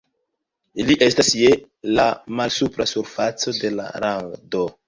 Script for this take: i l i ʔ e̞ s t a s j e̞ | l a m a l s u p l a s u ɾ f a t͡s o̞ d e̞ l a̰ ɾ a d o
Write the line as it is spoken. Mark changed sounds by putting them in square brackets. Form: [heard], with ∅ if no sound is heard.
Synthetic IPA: i l i ʔ e̞ s t a s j e̞ | l a m a l s u p [ɾ] a s u ɾ f a t͡s o̞ d e̞ l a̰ ɾ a d o